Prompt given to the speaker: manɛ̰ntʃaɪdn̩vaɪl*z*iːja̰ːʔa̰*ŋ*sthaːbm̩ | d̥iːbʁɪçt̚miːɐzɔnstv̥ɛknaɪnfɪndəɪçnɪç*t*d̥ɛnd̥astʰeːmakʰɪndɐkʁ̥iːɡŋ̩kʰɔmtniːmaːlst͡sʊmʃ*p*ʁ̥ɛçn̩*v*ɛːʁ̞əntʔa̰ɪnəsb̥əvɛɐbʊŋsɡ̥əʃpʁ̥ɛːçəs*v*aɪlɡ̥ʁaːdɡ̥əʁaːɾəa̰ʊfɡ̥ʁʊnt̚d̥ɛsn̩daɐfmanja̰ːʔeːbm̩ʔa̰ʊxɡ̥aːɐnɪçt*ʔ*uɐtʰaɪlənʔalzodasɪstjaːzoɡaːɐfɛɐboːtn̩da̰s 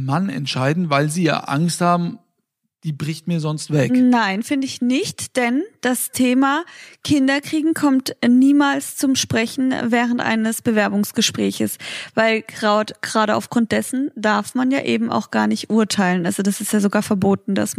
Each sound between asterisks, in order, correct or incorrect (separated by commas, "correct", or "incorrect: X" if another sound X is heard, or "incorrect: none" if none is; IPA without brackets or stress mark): correct, correct, correct, correct, correct, correct, correct